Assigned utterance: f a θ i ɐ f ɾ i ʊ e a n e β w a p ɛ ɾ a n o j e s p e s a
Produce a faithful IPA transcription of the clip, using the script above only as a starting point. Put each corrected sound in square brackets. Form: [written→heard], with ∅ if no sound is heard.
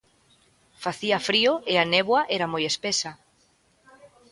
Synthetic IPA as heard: f a θ i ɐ f ɾ i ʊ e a n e β w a [p→ʔ] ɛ ɾ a [n→m] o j e s p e s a